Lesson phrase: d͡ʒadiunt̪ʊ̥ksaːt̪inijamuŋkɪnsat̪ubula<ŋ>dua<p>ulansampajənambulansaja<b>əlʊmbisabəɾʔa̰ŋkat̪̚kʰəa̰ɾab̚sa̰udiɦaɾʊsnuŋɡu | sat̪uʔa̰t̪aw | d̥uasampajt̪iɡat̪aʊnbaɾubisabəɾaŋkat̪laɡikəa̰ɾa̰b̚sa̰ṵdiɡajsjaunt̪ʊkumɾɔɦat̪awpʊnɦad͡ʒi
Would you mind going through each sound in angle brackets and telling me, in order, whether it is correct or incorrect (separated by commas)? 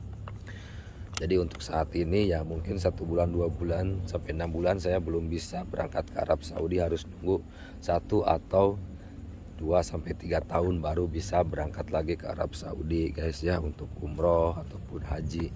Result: incorrect, incorrect, correct